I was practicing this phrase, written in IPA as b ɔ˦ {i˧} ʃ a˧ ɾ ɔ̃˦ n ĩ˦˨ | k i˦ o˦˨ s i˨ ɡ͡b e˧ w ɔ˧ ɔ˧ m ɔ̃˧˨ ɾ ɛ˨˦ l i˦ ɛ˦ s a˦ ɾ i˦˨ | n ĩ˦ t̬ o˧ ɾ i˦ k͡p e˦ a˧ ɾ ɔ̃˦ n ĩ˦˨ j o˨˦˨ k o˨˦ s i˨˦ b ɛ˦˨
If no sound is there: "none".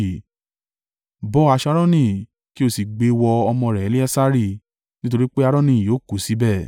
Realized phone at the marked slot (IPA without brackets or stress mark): a˧